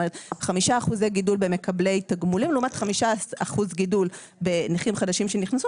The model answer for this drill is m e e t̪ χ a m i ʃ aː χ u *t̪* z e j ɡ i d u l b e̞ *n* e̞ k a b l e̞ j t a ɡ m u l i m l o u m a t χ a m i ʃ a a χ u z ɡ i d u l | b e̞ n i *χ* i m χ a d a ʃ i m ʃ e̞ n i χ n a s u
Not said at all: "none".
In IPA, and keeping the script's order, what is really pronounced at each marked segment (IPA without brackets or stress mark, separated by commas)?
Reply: none, m, χ